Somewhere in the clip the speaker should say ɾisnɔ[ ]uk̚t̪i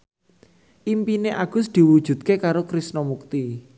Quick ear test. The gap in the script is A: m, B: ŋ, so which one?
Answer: A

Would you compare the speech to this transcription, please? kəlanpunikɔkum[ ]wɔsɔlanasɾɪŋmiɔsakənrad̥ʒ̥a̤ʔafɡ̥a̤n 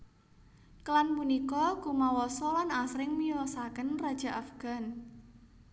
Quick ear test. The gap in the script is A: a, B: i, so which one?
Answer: A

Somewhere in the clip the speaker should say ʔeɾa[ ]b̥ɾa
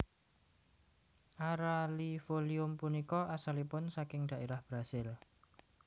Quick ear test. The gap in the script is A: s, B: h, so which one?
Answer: B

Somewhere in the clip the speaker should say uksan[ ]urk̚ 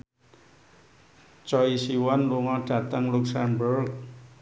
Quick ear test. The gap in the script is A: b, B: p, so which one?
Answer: A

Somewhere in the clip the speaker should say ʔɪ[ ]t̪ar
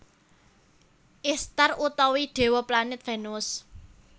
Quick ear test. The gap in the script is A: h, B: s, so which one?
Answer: B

